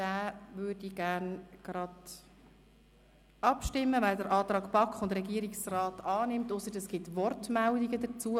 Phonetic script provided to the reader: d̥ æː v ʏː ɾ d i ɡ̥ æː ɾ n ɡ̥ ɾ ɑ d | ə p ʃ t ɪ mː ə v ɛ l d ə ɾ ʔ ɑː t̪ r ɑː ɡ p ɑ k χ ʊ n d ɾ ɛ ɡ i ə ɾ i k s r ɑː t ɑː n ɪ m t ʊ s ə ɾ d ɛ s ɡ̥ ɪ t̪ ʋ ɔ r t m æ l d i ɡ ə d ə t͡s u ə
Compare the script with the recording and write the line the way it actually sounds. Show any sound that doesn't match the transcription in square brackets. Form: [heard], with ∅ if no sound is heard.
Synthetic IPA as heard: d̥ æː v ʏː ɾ d i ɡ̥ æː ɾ n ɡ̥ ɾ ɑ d | [ɑ] p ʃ t ɪ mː ə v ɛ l d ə ɾ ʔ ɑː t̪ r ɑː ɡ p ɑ k χ ʊ n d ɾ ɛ ɡ i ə ɾ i k s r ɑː t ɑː n ɪ m t ʊ s ə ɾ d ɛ s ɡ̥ ɪ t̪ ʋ ɔ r t m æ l d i ɡ ə d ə t͡s u ə

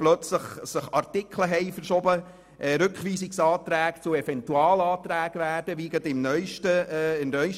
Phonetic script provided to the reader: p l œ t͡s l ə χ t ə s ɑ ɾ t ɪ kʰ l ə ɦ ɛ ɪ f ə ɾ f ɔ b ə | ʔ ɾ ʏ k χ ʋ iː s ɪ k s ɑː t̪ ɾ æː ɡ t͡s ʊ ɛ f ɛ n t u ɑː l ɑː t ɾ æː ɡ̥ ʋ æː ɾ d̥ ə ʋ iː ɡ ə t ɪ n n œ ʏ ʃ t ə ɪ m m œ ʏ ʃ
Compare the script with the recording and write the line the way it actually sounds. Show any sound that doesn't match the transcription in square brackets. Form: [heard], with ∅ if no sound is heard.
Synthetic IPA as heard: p l œ t͡s l ə χ [s] ə [χ] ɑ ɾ t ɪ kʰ l ə ɦ ɛ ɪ f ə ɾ [ʃ] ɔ b ə | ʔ ɾ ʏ k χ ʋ iː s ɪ k s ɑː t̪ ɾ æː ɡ t͡s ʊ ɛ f ɛ n t u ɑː l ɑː t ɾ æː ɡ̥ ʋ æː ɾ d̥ ə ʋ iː ɡ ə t ɪ [m] n œ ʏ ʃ t ə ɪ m [n] œ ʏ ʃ

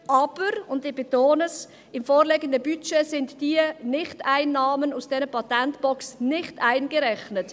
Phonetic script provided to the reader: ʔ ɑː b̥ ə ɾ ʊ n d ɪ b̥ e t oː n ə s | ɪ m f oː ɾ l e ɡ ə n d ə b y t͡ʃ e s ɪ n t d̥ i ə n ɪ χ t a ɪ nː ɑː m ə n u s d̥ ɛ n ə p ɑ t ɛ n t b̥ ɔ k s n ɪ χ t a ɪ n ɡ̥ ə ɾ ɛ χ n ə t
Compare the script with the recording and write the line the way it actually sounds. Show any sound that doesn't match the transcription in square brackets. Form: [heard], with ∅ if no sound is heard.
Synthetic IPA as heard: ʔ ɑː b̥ ə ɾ ʊ n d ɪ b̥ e t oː n ə s | ɪ m f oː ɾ l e ɡ ə n d ə b y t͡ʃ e s ɪ n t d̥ i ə n ɪ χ t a ɪ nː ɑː m ə n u s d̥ ɛ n ə p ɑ t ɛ n t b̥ ɔ k s n ɪ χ t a ɪ n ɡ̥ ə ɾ ɛ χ n ə t

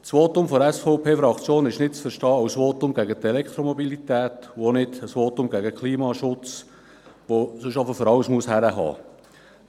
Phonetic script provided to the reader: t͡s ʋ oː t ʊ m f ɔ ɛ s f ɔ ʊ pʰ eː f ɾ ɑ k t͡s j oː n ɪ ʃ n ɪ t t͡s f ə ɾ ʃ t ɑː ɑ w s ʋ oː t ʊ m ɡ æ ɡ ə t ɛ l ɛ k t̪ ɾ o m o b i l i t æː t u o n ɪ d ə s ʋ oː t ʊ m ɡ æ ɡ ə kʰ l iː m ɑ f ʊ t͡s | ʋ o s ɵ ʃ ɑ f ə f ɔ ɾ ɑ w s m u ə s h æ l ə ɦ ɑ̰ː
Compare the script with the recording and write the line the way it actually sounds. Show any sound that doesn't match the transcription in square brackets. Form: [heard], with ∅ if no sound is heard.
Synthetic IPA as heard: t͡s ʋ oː t ʊ m f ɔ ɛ s f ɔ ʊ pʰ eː f ɾ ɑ k t͡s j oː n ɪ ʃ n ɪ t t͡s f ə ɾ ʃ t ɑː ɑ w s ʋ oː t ʊ m ɡ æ ɡ ə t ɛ l ɛ k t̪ ɾ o m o b i l i t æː t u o n ɪ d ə s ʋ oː t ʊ m ɡ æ ɡ ə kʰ l iː m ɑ [ʃ] ʊ t͡s | ʋ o s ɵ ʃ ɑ f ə f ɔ ɾ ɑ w s m u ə s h æ [ɾ] ə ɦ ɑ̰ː

